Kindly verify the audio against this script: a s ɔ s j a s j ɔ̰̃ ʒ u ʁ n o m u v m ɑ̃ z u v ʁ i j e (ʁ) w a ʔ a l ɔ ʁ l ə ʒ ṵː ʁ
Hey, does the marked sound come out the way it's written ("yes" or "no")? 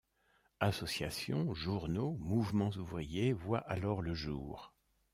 no